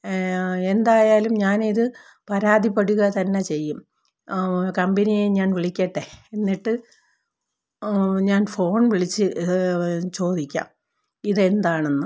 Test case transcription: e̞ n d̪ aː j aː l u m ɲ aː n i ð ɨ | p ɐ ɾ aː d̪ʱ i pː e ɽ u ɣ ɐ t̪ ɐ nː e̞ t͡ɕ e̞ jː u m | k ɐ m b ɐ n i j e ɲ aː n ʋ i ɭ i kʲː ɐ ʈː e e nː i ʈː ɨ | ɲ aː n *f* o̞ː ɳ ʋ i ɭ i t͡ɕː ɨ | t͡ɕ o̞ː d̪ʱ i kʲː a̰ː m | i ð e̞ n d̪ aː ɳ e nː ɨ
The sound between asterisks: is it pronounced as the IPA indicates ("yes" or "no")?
yes